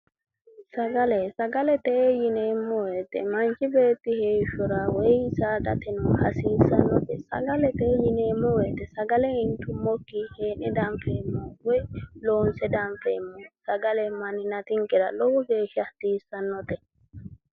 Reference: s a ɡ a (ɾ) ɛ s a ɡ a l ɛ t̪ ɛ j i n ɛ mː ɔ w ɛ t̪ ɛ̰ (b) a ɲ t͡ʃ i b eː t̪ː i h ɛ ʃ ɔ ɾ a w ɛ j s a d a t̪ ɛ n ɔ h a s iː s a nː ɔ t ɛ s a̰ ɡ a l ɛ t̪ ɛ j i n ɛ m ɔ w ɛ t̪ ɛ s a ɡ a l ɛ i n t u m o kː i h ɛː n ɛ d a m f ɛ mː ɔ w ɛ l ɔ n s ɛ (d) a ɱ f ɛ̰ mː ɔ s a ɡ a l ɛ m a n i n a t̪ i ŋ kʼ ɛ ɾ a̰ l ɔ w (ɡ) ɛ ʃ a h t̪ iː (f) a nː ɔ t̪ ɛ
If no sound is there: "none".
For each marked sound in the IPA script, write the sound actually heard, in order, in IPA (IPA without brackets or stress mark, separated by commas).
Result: l, m, d, ɡ, s